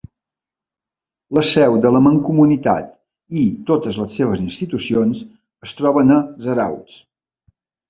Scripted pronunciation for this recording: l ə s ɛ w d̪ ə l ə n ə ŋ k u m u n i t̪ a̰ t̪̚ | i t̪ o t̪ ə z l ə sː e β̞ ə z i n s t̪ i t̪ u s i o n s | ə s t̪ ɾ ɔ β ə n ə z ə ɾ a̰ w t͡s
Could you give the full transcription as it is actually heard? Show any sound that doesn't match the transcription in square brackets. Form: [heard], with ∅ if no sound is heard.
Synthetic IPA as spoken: l ə s ɛ w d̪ ə l ə [m] ə ŋ k u m u n i t̪ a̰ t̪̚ | i t̪ o t̪ ə z l ə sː e β̞ ə z i n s t̪ i t̪ u s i o n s | ə s t̪ ɾ ɔ β ə n ə z ə ɾ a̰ w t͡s